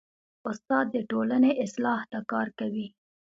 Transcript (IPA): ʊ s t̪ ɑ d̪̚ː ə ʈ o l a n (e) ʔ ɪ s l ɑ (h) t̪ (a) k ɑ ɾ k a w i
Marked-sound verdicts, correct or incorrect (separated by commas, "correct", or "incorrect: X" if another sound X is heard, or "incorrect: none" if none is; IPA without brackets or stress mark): correct, correct, correct